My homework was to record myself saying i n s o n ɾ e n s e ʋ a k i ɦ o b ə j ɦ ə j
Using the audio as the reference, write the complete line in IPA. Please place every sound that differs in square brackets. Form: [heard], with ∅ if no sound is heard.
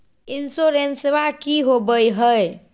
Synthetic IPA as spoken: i n s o [∅] ɾ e n s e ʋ a k i ɦ o b ə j ɦ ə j